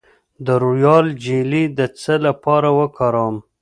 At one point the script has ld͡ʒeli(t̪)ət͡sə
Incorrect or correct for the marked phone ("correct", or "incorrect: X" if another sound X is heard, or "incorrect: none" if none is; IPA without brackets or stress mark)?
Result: incorrect: d̪